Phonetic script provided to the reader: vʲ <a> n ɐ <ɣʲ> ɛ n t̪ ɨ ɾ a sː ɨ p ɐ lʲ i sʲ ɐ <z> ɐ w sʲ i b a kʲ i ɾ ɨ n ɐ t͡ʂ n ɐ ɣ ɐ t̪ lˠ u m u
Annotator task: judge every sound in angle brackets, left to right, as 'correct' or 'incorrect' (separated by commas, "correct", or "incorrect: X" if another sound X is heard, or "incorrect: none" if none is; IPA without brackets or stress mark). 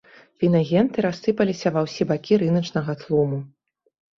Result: incorrect: i, correct, incorrect: v